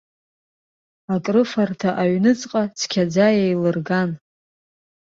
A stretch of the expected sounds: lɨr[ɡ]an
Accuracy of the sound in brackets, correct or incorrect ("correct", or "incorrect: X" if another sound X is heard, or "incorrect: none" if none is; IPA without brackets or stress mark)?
correct